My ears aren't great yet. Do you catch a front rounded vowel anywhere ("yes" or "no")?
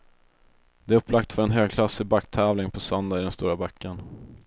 yes